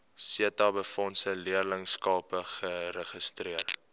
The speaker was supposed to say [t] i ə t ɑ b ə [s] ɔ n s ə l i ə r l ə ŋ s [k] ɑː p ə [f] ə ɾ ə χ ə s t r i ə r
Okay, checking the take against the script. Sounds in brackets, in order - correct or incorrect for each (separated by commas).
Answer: incorrect, incorrect, correct, incorrect